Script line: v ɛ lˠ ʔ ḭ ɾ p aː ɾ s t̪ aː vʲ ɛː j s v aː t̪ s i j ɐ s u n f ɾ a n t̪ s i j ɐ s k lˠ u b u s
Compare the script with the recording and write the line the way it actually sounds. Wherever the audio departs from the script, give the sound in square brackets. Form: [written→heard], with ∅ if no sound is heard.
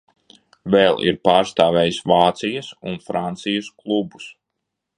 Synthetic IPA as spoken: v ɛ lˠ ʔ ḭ ɾ p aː ɾ s t̪ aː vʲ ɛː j s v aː t̪ s i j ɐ s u n f ɾ a n t̪ s i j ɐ s k lˠ u b u s